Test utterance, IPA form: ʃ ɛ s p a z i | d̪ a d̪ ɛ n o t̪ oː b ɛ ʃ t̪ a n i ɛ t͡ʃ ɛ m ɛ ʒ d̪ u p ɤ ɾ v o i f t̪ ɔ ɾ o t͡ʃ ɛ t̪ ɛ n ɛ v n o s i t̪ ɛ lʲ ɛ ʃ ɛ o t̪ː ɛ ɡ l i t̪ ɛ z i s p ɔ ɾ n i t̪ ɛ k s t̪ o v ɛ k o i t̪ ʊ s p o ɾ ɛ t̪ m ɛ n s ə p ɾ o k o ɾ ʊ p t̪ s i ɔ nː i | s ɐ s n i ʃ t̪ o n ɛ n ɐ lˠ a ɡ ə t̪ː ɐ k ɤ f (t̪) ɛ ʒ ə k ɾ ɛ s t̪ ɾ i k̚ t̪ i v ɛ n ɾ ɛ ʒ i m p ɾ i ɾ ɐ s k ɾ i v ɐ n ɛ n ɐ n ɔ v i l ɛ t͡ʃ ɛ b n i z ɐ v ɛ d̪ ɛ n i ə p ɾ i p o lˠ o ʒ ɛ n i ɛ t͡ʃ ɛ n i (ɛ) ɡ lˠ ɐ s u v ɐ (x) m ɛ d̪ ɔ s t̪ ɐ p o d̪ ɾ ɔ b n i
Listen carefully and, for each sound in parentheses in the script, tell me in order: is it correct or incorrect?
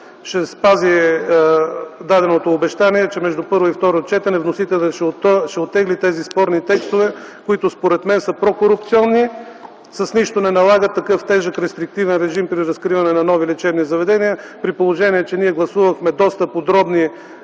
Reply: correct, correct, correct

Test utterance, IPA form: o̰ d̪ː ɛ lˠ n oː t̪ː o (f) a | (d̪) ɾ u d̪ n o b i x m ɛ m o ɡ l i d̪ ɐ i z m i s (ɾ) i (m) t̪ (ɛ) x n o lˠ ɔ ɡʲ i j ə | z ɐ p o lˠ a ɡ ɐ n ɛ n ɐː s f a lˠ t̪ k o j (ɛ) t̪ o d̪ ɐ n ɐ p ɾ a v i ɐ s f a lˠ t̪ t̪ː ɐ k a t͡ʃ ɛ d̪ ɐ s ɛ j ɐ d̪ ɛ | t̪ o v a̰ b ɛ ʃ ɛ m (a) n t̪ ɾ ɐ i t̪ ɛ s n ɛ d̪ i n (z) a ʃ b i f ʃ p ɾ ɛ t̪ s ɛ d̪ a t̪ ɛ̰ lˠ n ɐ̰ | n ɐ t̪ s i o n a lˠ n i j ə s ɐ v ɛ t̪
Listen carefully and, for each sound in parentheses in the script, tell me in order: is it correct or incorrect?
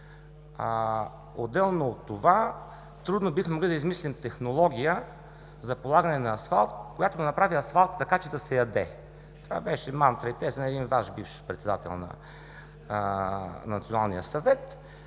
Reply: incorrect, incorrect, incorrect, correct, correct, incorrect, correct, incorrect

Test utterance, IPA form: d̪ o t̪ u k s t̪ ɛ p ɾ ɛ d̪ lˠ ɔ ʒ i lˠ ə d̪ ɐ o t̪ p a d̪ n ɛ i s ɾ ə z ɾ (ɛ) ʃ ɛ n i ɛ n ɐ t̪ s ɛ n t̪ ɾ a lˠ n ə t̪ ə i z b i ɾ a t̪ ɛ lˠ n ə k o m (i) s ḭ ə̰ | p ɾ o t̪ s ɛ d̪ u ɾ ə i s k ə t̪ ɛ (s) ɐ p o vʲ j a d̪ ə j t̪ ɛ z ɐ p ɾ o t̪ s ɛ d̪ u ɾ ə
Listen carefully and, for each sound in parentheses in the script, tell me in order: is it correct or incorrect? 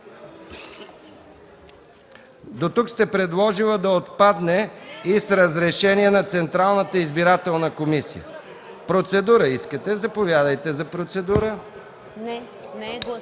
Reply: correct, correct, incorrect

